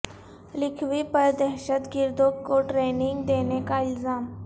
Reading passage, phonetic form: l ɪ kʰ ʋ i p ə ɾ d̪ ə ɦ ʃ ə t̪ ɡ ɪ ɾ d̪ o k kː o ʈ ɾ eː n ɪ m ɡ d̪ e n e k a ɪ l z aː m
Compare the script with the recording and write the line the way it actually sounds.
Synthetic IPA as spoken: l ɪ kʰ ʋ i p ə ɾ d̪ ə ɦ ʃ ə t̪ ɡ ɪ ɾ d̪ o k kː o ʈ ɾ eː n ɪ ŋ ɡ d̪ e n e k a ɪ l z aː m